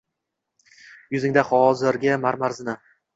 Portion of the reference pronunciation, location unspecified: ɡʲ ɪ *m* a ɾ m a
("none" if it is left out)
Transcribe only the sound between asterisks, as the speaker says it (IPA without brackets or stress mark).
m